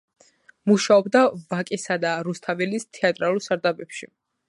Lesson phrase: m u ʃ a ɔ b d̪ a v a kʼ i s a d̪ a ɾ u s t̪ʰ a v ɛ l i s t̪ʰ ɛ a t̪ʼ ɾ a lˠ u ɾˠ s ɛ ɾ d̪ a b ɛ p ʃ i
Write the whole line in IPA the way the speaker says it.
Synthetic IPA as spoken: m u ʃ a ɔ b d̪ a v a kʼ i s a d̪ a ɾ u s t̪ʰ a v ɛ l i s t̪ʰ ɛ a t̪ʼ ɾ a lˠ u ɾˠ s a ɾ d̪ a b ɛ p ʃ i